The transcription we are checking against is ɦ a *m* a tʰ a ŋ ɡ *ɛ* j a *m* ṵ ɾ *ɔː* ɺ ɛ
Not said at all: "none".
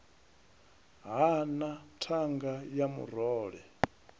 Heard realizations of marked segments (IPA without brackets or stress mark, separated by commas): n, a, m, ɔː